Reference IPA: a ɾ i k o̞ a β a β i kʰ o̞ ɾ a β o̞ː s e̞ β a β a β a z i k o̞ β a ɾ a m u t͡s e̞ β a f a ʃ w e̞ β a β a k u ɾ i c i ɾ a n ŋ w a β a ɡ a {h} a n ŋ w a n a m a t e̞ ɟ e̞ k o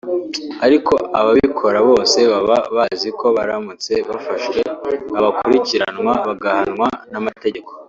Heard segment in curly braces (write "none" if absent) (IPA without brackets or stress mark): h